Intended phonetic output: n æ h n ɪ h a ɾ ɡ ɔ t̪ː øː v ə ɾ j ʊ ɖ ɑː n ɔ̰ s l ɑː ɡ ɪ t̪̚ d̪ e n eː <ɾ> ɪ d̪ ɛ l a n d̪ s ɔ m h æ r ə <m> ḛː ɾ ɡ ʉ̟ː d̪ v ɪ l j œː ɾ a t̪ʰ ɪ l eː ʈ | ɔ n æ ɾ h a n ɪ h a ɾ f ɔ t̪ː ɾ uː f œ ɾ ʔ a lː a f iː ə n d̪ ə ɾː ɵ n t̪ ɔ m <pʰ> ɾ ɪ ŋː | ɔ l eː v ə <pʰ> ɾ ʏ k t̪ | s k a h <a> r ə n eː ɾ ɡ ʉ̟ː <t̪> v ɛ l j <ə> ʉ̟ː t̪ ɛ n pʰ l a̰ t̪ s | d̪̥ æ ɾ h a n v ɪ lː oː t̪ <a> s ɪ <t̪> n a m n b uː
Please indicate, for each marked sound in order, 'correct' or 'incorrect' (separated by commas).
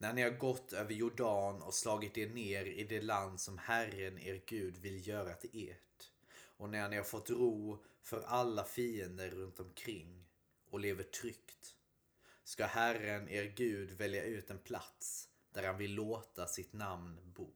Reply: correct, incorrect, incorrect, incorrect, incorrect, incorrect, incorrect, correct, correct